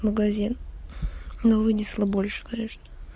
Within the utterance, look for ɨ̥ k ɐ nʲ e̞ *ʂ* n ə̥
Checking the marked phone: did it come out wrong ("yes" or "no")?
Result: no